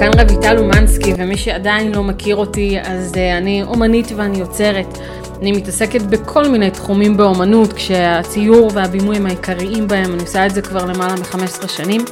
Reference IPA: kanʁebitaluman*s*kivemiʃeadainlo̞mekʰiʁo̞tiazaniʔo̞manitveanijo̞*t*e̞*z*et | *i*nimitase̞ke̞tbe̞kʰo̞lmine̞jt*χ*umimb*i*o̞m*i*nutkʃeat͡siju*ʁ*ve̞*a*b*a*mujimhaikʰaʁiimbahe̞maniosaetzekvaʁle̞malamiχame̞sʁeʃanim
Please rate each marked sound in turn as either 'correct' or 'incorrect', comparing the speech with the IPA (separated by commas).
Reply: correct, incorrect, incorrect, incorrect, correct, incorrect, incorrect, correct, correct, incorrect